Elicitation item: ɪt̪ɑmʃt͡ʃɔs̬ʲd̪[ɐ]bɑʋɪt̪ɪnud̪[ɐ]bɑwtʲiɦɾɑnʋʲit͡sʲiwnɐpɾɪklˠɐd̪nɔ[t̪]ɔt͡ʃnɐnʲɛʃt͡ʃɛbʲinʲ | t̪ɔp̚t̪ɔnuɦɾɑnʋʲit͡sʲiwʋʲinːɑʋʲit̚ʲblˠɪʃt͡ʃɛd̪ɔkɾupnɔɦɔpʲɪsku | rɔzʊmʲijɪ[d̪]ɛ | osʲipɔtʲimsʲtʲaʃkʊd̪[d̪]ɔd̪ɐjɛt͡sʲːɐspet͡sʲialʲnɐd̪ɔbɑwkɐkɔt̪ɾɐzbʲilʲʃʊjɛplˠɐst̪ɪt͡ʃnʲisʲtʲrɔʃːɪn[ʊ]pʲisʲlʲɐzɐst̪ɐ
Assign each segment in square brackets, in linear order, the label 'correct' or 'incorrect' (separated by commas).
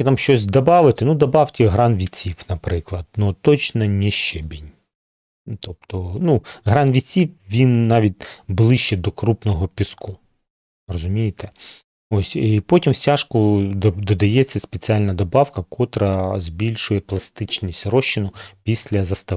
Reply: correct, correct, correct, incorrect, correct, correct